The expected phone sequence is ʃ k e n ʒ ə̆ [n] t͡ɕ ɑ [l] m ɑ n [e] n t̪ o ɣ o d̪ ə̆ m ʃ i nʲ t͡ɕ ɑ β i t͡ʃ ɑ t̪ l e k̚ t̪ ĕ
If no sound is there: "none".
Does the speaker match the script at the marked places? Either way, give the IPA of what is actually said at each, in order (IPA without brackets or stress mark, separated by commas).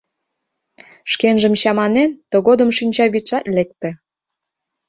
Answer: m, none, e